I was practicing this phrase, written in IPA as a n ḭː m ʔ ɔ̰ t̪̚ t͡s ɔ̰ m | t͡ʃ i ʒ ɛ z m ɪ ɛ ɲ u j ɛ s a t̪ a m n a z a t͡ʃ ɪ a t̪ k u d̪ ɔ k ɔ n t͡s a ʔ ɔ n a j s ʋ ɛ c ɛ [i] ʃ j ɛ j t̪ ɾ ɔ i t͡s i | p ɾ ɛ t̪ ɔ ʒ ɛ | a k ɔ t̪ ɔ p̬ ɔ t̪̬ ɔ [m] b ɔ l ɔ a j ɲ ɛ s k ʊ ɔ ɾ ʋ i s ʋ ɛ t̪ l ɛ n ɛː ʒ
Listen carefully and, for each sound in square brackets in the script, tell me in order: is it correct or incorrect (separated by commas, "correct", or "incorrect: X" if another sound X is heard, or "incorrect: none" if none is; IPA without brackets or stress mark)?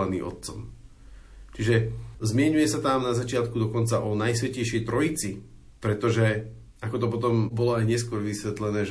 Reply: incorrect: j, correct